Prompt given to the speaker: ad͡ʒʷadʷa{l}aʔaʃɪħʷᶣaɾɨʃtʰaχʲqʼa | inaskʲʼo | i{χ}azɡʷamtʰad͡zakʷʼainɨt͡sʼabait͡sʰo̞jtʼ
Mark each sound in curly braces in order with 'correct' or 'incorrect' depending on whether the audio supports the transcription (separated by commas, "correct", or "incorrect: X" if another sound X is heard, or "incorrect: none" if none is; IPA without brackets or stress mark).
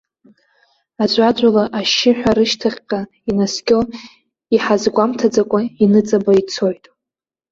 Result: correct, incorrect: ħ